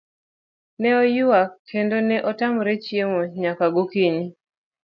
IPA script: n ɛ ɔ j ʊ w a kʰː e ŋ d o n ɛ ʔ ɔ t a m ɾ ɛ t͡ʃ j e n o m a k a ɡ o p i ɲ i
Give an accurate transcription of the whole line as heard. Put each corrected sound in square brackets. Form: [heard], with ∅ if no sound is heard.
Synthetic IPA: n ɛ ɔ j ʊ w a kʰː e [n] d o n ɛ ʔ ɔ t a m ɾ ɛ t͡ʃ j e [m] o [ɲ] a k a ɡ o [k] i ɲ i